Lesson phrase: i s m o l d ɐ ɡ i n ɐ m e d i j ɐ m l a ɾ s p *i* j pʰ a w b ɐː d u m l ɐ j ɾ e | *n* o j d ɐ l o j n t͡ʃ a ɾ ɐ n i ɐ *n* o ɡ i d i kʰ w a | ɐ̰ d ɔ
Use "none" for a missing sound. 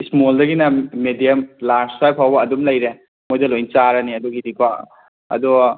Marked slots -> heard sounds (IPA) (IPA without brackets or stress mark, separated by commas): a, m, d